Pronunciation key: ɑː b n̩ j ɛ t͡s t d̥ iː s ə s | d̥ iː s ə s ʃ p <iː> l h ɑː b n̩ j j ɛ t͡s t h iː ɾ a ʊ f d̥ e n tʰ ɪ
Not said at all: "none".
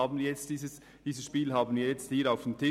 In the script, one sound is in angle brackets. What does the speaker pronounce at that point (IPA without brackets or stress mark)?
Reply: iː